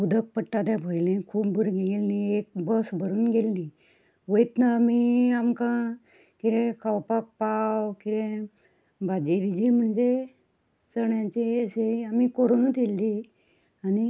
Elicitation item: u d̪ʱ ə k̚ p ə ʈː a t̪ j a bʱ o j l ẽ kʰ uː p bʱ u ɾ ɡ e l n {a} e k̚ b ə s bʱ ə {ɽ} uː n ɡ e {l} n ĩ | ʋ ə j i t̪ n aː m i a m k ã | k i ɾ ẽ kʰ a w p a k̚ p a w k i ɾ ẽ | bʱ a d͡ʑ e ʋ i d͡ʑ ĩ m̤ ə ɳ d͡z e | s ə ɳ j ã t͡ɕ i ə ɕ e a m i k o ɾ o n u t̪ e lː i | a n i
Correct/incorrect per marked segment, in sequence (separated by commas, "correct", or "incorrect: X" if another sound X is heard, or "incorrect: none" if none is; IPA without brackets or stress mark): incorrect: i, incorrect: ɾ, correct